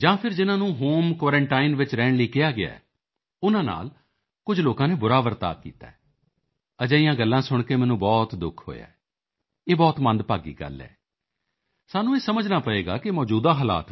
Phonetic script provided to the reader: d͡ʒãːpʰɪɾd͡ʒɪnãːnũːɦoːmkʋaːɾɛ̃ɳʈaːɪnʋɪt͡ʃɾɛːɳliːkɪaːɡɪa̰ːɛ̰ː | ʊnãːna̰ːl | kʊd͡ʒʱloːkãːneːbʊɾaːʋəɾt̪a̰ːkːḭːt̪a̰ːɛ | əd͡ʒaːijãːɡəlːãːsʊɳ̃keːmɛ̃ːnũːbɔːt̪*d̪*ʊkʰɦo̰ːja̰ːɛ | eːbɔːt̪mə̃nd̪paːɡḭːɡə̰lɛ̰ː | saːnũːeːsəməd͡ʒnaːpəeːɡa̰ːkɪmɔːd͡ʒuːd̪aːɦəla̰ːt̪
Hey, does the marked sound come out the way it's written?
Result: yes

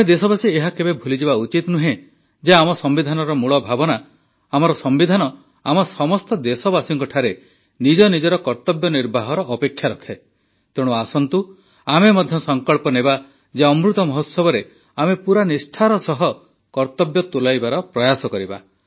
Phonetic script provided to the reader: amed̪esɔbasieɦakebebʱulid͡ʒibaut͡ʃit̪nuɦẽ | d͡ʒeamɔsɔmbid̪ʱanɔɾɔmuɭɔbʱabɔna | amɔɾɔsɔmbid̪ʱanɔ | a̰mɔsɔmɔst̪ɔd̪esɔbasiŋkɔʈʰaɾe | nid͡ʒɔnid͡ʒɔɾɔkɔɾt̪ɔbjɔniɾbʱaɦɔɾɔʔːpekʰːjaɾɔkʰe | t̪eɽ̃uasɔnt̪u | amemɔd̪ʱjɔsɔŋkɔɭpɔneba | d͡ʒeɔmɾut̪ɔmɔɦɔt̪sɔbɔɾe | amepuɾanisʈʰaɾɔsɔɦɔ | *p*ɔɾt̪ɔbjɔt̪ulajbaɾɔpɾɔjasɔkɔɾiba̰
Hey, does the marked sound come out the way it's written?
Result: no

